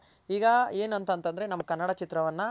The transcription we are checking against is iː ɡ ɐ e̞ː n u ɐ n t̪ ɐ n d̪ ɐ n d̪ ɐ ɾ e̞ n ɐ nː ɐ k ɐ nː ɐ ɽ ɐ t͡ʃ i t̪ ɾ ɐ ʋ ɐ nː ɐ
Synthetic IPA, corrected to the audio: iː ɡ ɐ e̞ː n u ɐ n t̪ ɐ n t̪ ɐ n d̪ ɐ ɾ e̞ n ɐ mː ɐ k ɐ nː ɐ ɽ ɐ t͡ʃ i t̪ ɾ ɐ ʋ ɐ nː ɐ